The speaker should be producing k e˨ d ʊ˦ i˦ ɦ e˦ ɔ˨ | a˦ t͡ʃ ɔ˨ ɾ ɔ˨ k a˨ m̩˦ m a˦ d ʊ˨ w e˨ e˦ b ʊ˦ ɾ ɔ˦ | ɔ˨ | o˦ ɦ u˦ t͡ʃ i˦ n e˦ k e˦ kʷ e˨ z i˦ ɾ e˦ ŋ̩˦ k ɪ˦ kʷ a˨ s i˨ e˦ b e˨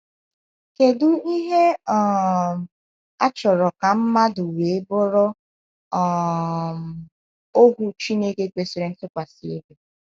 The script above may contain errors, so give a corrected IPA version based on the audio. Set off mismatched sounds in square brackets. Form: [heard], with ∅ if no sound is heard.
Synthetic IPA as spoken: k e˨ d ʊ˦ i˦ ɦ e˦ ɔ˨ | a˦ t͡ʃ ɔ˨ ɾ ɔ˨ k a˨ m̩˦ m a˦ d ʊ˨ w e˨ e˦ b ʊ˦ ɾ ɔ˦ | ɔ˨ | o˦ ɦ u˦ t͡ʃ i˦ n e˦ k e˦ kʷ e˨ [s] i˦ ɾ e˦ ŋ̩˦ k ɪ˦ kʷ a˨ s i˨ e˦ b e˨